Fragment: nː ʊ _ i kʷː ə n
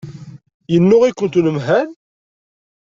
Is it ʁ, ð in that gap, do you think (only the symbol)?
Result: ʁ